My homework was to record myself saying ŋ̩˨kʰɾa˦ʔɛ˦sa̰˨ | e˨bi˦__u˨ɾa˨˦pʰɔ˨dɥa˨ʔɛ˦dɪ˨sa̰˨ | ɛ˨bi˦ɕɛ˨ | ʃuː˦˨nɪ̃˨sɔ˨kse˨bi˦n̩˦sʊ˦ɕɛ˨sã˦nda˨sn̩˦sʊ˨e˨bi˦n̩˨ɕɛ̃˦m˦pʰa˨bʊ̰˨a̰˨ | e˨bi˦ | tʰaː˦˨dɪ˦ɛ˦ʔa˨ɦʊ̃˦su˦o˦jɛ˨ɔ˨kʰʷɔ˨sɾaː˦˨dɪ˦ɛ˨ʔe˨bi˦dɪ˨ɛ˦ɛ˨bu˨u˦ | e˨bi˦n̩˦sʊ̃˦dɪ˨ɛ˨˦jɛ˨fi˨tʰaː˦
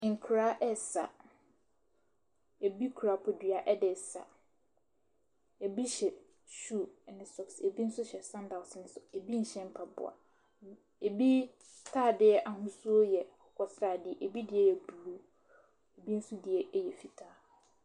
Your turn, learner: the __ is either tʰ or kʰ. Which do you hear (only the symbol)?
kʰ